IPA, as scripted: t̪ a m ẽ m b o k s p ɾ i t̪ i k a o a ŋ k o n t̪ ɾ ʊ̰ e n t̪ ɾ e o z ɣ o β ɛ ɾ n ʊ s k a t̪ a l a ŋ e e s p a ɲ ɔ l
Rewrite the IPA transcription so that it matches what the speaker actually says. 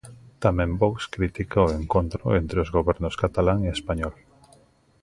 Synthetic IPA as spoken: t̪ a m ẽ m b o k s k ɾ i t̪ i k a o e ŋ k o n t̪ ɾ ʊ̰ e n t̪ ɾ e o z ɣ o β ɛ ɾ n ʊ s k a t̪ a l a ŋ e e s p a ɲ ɔ l